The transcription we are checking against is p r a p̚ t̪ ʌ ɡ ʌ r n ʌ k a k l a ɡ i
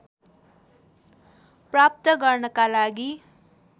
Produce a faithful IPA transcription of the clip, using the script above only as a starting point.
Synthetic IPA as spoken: p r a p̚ t̪ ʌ ɡ ʌ r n ʌ k a l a ɡ i